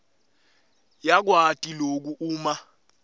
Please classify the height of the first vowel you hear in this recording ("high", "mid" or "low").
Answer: low